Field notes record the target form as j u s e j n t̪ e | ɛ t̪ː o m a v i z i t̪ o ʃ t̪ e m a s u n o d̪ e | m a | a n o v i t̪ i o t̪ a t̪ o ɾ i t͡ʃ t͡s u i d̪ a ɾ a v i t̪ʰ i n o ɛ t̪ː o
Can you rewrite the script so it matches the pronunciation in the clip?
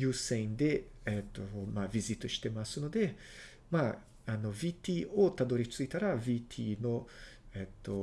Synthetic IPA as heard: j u s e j n d̪ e | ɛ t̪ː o m a v i z i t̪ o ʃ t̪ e m a s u n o d̪ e | m a | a n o v i t̪ i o t̪ a d̪ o ɾ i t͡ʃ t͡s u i t̪ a ɾ a v i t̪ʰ i n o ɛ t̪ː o